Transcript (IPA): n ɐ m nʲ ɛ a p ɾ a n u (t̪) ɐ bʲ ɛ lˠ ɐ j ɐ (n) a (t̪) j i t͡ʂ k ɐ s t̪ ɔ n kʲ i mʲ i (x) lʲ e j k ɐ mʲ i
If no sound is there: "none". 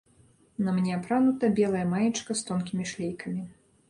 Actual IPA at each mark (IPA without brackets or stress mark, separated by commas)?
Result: t̪, m, none, ʂ